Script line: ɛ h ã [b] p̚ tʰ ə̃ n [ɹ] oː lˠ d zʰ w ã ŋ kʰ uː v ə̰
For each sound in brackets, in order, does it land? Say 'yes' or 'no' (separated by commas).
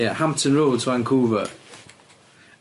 no, yes